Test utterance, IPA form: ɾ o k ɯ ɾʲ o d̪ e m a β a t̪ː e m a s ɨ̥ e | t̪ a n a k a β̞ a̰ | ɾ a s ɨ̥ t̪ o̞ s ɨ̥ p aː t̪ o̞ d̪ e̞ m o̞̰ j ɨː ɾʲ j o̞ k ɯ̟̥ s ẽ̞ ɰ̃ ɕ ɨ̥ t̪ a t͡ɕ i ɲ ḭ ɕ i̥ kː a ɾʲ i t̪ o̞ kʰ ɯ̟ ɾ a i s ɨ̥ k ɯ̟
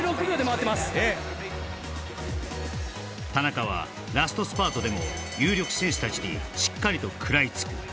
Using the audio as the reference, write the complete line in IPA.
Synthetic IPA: ɾ o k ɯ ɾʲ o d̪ e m a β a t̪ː e m a s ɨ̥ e | t̪ a n a k a β̞ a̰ | ɾ a s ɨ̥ t̪ o̞ s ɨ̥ p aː t̪ o̞ d̪ e̞ m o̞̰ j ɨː ɾʲ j o̞ k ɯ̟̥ s ẽ̞ ɰ̃ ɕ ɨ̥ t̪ a t͡ɕ i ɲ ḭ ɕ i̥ kː a ɾʲ i t̪ o̞ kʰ ɯ̟ ɾ a i t͡s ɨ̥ k ɯ̟